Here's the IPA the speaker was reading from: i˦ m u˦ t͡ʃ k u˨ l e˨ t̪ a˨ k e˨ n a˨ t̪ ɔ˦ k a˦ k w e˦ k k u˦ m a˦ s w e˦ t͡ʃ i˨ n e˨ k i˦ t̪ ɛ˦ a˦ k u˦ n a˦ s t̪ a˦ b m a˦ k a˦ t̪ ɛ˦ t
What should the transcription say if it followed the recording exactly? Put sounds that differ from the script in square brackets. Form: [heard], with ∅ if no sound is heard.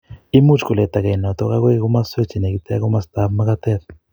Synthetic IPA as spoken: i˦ m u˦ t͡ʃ k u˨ l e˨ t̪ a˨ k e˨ n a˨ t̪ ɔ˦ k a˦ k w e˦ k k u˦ m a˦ s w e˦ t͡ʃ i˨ n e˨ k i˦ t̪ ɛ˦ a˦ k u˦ [m] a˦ s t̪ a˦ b m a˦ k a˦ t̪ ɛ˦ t